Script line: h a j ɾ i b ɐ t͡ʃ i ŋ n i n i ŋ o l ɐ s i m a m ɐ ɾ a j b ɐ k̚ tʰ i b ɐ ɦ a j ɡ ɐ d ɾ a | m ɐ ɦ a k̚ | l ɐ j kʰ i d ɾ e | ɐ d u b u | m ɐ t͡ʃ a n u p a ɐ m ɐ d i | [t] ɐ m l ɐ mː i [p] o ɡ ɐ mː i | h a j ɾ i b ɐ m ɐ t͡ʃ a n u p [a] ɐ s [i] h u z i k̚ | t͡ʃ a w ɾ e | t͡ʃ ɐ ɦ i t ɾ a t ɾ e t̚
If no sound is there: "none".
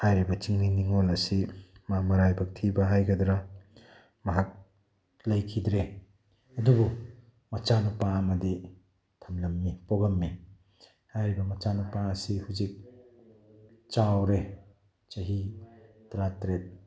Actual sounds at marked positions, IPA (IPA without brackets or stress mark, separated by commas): tʰ, p, a, i